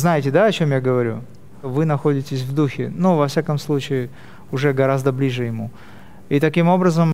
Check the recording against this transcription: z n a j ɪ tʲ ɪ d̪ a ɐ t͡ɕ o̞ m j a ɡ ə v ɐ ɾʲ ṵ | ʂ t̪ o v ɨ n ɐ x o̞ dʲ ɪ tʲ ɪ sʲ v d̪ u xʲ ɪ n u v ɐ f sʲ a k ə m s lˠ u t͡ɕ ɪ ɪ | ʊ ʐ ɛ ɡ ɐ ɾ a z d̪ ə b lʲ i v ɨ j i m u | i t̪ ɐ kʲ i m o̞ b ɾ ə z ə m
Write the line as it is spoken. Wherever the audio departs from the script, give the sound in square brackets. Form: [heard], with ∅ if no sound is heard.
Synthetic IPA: z n a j ɪ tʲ ɪ d̪ a ɐ t͡ɕ o̞ m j a ɡ ə v ɐ ɾʲ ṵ | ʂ t̪ o v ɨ n ɐ x o̞ dʲ ɪ tʲ ɪ sʲ v d̪ u xʲ ɪ n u v ɐ f sʲ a k ə m s lˠ u t͡ɕ ɪ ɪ | ʊ ʐ ɛ ɡ ɐ ɾ a z d̪ ə b lʲ i [ʐ] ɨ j [ɪ] m u | i t̪ ɐ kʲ i m o̞ b ɾ ə z ə m